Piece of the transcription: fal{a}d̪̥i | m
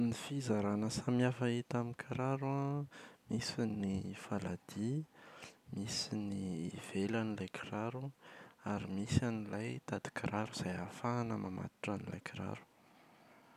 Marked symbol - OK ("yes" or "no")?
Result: yes